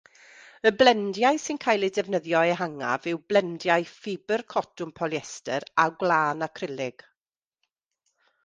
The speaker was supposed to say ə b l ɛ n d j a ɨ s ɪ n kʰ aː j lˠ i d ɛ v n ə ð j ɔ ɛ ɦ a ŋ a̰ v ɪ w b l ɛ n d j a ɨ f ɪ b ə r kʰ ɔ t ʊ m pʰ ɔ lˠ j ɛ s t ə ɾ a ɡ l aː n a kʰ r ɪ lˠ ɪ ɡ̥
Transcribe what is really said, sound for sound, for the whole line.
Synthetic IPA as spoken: ə b l ɛ n d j a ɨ s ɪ n kʰ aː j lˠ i d ɛ v n ə ð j ɔ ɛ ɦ a ŋ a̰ v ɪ w b l ɛ n d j a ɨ f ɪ b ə r kʰ ɔ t ʊ m pʰ ɔ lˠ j ɛ s t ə ɾ a ɡ l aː n a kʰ r ɪ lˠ ɪ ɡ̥